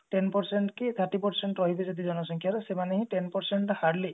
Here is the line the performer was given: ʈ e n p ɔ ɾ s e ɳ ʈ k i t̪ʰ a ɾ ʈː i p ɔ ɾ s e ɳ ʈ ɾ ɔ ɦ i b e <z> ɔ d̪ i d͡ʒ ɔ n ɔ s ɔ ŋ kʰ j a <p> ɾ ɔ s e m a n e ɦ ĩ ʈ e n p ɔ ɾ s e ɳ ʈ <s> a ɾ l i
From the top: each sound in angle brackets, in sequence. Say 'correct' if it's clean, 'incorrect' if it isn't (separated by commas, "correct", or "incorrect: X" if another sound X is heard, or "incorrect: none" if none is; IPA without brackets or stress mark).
correct, incorrect: none, incorrect: h